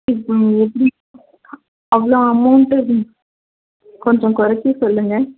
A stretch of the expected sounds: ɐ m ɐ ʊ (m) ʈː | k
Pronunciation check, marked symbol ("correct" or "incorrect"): incorrect